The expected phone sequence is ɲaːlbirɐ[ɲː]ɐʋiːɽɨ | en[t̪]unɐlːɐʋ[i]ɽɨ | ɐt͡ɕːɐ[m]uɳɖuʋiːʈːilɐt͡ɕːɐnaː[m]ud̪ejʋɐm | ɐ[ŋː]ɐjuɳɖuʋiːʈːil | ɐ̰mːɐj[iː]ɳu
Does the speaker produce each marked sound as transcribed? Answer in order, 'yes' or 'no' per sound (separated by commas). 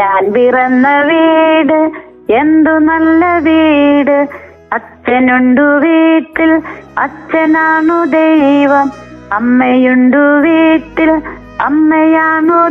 no, no, no, no, no, no, no